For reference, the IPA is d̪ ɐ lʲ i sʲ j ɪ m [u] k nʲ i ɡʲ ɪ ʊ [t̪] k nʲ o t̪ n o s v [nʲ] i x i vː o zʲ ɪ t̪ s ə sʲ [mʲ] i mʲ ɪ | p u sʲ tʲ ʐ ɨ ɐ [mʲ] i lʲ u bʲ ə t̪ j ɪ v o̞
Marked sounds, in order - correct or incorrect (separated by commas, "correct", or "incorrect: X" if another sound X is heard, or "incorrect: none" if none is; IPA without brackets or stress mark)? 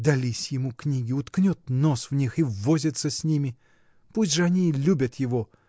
correct, correct, correct, incorrect: nʲ, incorrect: nʲ